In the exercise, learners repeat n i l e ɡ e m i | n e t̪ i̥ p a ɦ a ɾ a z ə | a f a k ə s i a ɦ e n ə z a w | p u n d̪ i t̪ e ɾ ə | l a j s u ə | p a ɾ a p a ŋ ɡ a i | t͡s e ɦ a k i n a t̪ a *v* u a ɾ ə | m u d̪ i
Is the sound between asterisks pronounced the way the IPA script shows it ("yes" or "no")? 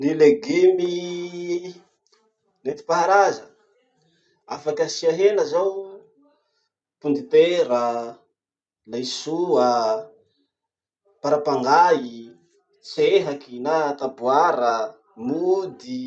no